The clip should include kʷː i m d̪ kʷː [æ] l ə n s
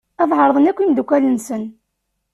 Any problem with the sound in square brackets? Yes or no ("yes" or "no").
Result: no